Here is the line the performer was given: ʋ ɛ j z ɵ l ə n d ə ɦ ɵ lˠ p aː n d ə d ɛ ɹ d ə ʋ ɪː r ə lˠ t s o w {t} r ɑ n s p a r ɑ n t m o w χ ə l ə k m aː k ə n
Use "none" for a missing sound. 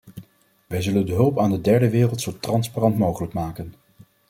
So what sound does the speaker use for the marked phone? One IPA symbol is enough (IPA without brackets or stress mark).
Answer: t